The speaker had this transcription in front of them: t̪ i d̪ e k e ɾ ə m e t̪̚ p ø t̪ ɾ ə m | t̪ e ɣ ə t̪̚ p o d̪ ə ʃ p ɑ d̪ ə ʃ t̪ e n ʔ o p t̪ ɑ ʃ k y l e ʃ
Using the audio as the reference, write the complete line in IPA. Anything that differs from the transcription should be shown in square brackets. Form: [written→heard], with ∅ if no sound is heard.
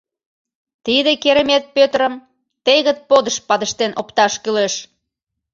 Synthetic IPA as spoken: t̪ i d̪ e k e ɾ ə m e t̪̚ p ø t̪ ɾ ə m | t̪ e ɣ ə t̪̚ p o d̪ ə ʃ p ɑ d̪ ə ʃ t̪ e n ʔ o p t̪ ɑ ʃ k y l e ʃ